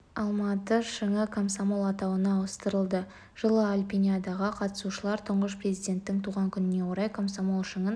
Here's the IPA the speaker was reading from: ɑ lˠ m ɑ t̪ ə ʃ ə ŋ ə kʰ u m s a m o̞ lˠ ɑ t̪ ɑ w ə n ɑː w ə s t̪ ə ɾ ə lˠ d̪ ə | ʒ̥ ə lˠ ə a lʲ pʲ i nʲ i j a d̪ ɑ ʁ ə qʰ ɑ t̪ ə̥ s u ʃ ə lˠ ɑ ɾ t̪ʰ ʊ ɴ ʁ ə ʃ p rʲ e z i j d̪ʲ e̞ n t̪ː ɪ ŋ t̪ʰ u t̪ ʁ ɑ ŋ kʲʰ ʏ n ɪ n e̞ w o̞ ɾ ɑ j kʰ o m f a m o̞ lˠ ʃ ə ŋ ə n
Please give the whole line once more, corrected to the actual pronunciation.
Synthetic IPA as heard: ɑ lˠ m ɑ t̪ ə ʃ ə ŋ ə kʰ o m s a m o̞ lˠ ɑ t̪ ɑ w ə n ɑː w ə s t̪ ə ɾ ə lˠ d̪ ə | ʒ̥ ə lˠ ə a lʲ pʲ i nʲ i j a d̪ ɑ ʁ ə qʰ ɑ t̪ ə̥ s u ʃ ə lˠ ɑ ɾ t̪ʰ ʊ ɴ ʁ ə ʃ p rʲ e z i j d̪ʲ e̞ n t̪ː ɪ ŋ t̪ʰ u ʁ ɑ ŋ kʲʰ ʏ n ɪ n e̞ w o̞ ɾ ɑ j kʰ o m s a m o̞ lˠ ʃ ə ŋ ə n